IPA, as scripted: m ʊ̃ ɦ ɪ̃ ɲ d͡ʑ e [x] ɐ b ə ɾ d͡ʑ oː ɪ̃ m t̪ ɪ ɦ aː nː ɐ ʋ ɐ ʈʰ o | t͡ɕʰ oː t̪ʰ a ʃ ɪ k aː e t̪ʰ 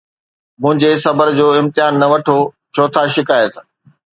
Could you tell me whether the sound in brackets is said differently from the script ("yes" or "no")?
yes